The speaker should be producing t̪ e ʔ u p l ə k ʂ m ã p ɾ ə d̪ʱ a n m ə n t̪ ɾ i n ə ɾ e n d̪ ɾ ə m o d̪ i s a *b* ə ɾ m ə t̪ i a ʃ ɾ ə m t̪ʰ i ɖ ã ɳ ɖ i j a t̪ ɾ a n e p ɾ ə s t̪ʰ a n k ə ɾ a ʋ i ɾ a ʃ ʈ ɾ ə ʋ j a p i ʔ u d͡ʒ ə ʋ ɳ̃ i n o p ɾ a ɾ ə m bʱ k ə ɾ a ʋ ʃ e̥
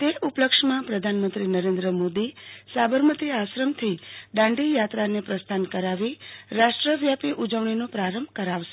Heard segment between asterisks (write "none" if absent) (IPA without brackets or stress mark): b